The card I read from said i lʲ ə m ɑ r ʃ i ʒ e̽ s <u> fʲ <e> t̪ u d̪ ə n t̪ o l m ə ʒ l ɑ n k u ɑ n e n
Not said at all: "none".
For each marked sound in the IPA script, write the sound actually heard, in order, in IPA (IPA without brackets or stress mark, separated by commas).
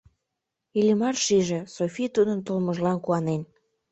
o, i